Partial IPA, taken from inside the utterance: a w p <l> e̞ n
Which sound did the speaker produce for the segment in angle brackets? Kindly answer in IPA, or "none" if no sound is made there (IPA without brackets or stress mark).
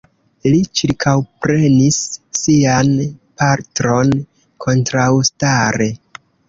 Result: ɾ